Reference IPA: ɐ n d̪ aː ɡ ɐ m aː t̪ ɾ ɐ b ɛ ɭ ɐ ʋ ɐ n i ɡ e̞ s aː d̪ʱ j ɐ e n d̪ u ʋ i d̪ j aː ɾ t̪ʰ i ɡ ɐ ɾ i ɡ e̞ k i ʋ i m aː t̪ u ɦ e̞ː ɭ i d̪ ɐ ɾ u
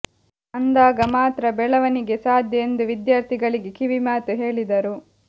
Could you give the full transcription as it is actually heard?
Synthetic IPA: ɐ n d̪ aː ɡ ɐ m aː t̪ ɾ ɐ b ɛ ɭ ɐ ʋ ɐ n i ɡ e̞ s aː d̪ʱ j ɐ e n d̪ u ʋ i d̪ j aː ɾ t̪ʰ i ɡ ɐ ɭ i ɡ e̞ k i ʋ i m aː t̪ u ɦ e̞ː ɭ i d̪ ɐ ɾ u